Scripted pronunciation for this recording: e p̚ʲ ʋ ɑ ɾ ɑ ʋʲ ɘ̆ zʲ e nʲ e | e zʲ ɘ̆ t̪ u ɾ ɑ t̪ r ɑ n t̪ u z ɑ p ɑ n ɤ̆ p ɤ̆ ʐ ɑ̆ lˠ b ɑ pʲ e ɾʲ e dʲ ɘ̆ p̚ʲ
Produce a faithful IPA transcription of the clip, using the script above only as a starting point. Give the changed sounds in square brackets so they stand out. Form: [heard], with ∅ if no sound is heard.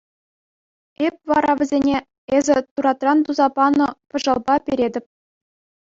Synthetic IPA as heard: e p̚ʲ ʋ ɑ ɾ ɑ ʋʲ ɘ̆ zʲ e nʲ e | e zʲ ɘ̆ t̪ u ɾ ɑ t̪ r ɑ n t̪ u z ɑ p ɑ n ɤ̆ p ɤ̆ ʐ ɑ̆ lˠ b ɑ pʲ e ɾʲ e dʲ ɘ̆ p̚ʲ